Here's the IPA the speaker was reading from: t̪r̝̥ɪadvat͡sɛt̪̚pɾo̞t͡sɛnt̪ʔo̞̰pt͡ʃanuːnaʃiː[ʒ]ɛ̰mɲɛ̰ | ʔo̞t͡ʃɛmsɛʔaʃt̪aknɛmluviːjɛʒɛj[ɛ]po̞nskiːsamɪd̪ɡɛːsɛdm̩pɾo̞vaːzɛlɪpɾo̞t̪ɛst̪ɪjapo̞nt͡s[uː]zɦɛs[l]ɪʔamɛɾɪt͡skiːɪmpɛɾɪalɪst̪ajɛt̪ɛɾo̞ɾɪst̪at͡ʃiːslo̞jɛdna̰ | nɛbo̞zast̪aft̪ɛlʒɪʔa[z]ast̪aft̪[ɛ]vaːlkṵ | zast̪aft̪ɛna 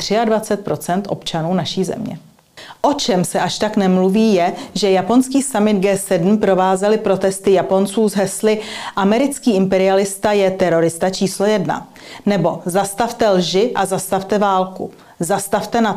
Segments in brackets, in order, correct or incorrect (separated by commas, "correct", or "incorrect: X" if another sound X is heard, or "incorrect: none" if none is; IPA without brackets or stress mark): incorrect: z, incorrect: a, correct, correct, correct, correct